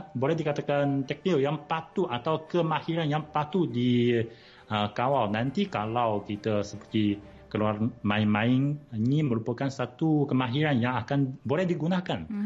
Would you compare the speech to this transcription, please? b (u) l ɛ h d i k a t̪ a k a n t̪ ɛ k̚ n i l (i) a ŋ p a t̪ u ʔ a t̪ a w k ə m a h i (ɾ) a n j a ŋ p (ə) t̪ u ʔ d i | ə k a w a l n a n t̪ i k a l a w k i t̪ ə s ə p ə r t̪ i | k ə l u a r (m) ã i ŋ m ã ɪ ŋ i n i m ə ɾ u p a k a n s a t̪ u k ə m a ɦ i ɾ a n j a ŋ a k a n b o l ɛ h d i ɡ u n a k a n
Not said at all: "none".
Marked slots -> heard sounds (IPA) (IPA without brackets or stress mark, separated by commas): o, j, ɾ, a, m